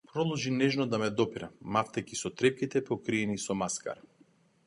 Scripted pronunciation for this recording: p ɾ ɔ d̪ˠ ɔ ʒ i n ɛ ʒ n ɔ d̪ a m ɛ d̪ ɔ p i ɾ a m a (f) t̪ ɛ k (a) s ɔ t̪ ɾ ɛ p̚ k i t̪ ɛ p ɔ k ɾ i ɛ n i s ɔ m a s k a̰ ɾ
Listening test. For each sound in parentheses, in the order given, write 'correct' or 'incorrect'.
correct, incorrect

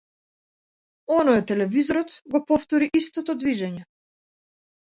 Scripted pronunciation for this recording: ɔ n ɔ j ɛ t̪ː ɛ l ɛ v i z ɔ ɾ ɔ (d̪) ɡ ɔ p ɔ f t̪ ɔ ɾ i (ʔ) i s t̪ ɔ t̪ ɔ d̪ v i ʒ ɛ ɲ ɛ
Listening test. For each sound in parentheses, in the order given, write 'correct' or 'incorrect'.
incorrect, correct

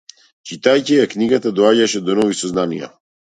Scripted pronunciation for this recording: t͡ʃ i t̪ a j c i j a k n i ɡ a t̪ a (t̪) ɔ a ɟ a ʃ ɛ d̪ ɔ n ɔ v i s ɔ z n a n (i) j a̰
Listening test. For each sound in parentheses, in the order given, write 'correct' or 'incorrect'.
incorrect, correct

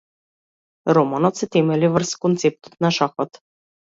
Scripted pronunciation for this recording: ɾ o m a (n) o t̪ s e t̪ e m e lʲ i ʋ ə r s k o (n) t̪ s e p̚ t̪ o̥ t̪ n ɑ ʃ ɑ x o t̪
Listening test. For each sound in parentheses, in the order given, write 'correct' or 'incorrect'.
correct, correct

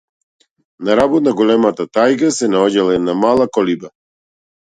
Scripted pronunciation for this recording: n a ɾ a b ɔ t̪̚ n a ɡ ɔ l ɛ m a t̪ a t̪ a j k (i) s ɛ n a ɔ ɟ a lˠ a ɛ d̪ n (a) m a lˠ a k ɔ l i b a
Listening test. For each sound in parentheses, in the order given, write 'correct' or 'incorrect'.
incorrect, correct

